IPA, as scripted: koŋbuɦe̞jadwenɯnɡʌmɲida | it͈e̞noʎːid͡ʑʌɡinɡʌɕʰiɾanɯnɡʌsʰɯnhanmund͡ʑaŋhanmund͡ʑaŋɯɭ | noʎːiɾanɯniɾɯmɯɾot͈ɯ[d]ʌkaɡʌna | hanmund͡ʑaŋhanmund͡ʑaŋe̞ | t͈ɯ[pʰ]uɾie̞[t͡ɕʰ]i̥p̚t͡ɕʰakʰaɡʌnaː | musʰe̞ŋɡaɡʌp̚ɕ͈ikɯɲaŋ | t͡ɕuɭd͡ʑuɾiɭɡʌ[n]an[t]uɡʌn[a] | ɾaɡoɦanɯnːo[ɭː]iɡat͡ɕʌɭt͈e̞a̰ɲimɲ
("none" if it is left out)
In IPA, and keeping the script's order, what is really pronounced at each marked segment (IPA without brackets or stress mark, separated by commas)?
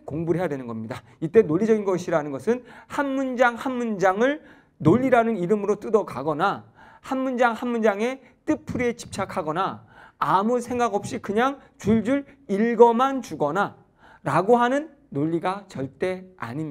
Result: d, pʰ, t͡ɕ, m, t͡ɕ, a, ʎː